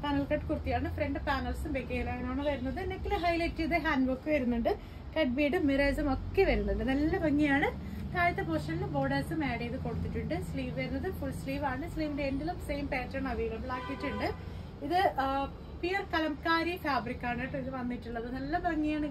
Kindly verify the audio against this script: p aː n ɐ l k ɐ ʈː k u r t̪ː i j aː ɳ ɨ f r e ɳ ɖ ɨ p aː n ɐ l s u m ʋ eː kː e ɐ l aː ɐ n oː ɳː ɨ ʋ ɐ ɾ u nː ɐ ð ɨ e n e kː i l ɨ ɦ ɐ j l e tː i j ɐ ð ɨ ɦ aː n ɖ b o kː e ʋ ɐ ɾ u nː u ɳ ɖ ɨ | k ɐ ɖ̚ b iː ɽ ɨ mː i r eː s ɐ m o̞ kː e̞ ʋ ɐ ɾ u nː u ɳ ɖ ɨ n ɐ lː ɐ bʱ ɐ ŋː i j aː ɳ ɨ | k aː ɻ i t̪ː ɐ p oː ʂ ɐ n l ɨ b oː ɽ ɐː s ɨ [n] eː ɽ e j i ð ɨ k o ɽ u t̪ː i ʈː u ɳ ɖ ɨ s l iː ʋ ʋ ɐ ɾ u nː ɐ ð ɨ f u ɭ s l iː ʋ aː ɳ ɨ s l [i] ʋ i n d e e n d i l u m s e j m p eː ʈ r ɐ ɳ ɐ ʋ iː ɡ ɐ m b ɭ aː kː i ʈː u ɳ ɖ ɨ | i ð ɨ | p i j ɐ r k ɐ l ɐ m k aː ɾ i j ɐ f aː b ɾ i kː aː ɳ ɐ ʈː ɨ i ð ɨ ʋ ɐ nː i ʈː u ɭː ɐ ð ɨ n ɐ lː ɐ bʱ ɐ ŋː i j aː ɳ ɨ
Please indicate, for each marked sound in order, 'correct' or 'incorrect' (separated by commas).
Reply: incorrect, incorrect